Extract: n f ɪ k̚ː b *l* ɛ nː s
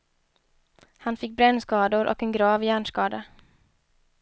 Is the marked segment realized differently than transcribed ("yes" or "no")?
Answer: yes